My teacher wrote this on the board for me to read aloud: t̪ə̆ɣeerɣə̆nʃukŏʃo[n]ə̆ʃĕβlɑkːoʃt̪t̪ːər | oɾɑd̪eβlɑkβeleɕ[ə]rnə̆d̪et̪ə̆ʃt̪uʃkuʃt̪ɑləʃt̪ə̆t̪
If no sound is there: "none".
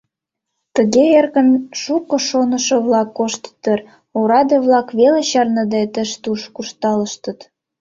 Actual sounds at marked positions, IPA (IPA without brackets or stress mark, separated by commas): n, ɑ